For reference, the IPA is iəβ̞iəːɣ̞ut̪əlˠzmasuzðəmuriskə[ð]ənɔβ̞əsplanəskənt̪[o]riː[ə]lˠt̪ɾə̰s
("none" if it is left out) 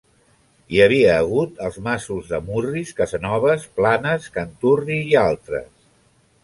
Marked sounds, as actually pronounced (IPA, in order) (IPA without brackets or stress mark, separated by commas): z, u, a